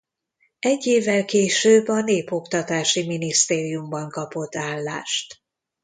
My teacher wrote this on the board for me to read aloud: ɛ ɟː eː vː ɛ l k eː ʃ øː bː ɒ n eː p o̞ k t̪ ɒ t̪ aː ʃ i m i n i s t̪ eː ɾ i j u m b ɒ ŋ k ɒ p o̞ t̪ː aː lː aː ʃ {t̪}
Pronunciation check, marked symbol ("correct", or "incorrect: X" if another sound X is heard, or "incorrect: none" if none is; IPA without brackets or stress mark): correct